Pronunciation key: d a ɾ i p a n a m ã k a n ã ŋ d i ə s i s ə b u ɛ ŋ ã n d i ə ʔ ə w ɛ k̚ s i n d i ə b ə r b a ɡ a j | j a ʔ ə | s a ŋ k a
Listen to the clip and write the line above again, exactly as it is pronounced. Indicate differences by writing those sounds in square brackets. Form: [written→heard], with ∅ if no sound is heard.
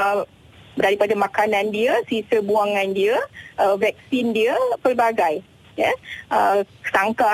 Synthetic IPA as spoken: d a ɾ i p a [n→d] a m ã k a n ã [ŋ→n] d i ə s i s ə b u [ɛ→a] ŋ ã n d i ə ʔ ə [w→v] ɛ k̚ s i n d i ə [b→p] ə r b a ɡ a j | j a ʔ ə | s a ŋ k a